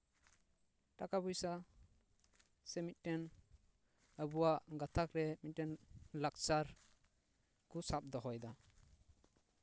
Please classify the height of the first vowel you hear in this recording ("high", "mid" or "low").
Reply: low